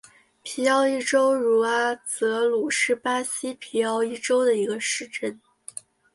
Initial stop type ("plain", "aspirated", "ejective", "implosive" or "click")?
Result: aspirated